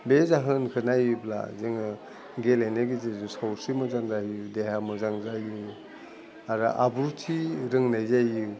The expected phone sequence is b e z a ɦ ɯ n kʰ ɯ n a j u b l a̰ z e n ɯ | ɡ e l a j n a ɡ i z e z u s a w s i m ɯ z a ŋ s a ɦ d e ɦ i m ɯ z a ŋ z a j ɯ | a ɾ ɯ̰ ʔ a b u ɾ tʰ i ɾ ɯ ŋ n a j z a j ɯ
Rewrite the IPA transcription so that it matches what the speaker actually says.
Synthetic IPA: b e z a ɦ ɯ n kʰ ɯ n a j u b l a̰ z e ŋ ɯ | ɡ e l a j n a ɡ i z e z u s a w s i m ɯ z a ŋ z a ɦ d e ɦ a m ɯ z a ŋ z a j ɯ | a ɾ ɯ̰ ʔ a b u ɾ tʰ i ɾ ɯ ŋ n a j z a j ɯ